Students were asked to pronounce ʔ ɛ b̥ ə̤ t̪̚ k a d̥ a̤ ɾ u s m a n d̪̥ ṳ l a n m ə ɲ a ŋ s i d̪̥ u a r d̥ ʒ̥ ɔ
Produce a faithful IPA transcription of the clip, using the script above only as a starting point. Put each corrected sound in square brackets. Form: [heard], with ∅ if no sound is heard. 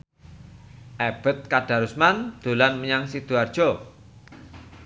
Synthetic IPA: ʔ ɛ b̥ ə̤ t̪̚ k a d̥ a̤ ɾ u s m a n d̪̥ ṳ l a n m ə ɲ a ŋ s i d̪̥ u a r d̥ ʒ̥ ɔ